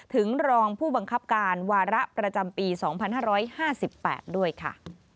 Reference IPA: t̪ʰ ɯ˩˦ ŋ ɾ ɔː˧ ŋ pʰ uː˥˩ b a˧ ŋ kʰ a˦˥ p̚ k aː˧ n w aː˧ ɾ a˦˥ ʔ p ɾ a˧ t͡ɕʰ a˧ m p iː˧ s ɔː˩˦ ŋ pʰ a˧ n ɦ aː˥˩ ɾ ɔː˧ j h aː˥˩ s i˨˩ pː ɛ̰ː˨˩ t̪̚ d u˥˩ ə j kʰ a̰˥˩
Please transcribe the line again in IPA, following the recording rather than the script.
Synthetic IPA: t̪ʰ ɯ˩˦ ŋ ɾ ɔː˧ ŋ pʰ uː˥˩ b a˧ ŋ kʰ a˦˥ p̚ k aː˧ n w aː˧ ɾ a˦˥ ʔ p ɾ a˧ t͡ɕ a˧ m p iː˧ s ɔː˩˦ ŋ pʰ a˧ n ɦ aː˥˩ ɾ ɔː˦˥ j h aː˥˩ s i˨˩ pː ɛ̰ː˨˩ t̪̚ d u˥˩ ə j kʰ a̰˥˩